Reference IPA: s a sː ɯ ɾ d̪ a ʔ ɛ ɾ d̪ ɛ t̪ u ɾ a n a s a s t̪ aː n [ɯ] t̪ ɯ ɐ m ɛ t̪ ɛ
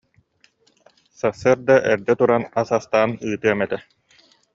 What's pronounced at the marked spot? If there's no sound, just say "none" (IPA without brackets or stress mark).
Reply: ɯː